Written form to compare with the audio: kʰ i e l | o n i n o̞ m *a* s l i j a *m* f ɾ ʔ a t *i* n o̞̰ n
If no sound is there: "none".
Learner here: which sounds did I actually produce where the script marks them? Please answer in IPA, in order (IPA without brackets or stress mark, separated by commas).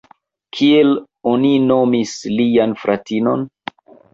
i, n, i